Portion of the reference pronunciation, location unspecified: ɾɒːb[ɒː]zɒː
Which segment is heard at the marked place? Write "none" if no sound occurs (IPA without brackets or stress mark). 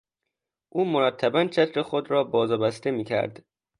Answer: ɒː